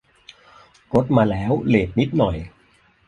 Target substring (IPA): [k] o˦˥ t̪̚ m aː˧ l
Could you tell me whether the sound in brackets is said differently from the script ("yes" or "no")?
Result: no